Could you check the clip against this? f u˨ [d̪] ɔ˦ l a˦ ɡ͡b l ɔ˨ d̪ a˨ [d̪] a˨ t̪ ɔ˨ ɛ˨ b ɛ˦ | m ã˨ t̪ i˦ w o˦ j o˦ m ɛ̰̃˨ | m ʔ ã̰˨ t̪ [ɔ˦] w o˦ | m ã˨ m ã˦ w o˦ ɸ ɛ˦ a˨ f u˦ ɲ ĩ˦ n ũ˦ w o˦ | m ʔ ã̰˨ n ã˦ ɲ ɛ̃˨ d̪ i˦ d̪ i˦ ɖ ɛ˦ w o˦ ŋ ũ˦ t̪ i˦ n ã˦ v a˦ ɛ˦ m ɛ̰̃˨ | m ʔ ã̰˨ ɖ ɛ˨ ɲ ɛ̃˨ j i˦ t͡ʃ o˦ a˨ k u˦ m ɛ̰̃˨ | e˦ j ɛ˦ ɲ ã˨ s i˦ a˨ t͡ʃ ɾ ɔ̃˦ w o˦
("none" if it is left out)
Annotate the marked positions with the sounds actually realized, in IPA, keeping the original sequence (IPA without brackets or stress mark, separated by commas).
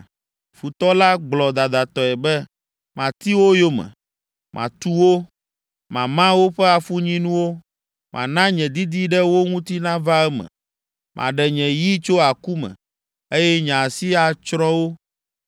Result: t̪, d̪, u˦